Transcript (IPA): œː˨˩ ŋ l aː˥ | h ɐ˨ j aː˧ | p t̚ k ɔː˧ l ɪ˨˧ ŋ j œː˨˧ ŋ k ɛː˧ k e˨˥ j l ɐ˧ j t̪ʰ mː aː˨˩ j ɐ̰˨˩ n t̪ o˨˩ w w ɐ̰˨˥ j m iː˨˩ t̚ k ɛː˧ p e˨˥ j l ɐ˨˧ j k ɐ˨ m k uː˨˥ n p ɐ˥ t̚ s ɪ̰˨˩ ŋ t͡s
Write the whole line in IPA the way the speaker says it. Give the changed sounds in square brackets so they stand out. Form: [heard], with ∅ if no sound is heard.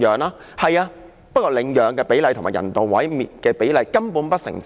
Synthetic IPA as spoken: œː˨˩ ŋ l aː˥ | h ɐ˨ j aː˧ | p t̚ k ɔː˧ l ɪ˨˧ ŋ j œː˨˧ ŋ k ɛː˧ [p] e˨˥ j l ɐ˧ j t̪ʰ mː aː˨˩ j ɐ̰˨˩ n t̪ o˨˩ w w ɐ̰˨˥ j m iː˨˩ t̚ k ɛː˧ p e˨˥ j l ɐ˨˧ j k [ɐ˥] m [p] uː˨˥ n p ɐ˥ t̚ s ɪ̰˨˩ ŋ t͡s

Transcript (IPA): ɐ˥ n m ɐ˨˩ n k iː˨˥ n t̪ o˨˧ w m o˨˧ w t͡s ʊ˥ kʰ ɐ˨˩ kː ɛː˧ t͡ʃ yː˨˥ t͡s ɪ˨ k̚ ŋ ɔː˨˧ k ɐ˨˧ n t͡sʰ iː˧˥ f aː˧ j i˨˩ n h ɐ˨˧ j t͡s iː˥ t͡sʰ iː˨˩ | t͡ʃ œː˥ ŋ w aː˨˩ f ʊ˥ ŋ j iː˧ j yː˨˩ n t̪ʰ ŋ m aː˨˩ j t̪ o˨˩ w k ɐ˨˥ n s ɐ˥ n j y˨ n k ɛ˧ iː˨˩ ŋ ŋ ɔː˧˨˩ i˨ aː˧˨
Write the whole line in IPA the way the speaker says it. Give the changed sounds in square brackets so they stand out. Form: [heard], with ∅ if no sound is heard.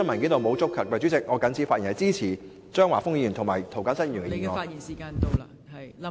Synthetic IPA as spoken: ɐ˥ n m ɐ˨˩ n k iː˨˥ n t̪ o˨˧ w m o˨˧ w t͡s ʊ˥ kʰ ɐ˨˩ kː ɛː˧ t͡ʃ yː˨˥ t͡s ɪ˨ k̚ ŋ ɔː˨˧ k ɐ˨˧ n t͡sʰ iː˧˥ f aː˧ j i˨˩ n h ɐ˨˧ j t͡s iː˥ t͡sʰ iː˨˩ | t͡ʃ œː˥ ŋ w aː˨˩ f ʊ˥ ŋ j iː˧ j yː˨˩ n t̪ʰ ŋ m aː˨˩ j [t̪ʰ] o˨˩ w k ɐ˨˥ n s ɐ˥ n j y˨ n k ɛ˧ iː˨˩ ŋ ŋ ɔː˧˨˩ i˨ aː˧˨

